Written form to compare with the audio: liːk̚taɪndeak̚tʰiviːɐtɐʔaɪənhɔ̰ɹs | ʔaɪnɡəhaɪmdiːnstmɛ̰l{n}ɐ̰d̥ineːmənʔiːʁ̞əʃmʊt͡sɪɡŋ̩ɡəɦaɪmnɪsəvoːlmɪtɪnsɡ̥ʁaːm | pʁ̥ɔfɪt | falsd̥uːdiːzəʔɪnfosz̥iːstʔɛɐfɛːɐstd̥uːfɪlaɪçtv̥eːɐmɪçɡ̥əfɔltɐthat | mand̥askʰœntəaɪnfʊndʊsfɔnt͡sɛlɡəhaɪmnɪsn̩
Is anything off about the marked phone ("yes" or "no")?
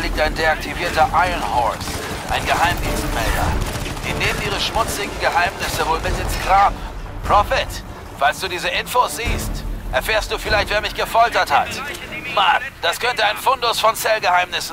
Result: yes